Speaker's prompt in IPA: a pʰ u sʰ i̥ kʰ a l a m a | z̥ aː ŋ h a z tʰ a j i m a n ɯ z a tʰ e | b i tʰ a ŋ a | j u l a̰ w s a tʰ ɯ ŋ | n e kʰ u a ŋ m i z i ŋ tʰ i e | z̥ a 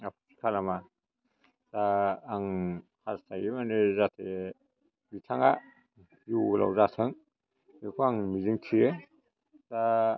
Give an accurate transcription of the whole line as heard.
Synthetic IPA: a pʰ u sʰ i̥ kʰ a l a m a | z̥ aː ŋ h a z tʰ a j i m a n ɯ z a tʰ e | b i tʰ a ŋ a | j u l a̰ w z a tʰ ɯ ŋ | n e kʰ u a ŋ m i z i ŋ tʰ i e | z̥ a